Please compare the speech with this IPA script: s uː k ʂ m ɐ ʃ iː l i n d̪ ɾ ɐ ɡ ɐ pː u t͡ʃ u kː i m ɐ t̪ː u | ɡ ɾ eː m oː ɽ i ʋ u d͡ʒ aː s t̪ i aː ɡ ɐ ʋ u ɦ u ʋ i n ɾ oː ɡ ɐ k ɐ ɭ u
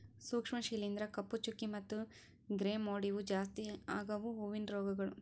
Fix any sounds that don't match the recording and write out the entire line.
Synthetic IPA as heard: s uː k ʂ m ɐ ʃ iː l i n d̪ ɾ ɐ k ɐ pː u t͡ʃ u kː i m ɐ t̪ː u | ɡ ɾ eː m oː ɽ i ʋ u d͡ʒ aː s t̪ i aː ɡ ɐ ʋ u ɦ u ʋ i n ɾ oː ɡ ɐ ɡ ɐ ɭ u